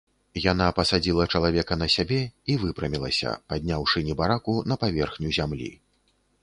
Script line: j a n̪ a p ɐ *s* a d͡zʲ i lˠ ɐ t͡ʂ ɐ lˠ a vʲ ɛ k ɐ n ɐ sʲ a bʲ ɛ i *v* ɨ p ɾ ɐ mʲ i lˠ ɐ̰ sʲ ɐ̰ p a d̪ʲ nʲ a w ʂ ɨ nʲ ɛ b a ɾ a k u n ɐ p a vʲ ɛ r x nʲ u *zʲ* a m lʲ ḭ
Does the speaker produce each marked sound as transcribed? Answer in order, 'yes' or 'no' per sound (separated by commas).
yes, yes, yes